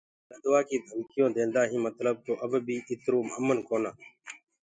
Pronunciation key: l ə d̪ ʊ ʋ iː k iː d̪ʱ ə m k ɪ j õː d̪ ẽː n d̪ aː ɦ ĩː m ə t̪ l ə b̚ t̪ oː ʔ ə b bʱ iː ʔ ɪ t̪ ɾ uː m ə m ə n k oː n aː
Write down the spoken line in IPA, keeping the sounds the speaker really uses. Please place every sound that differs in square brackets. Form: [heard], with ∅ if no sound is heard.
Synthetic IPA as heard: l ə d̪ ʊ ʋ [aː] k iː d̪ʱ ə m k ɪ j õː d̪ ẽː n d̪ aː ɦ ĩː m ə t̪ l ə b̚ t̪ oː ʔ ə b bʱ iː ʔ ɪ t̪ ɾ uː m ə m ə n k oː n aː